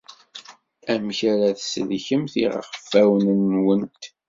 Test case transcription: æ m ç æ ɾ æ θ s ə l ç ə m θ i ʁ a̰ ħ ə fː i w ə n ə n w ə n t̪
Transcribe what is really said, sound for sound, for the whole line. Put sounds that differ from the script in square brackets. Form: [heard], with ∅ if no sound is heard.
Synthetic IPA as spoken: æ m ç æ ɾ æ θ s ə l ç ə m θ i ʁ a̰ [χ] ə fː [æ] w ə n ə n w ə n t̪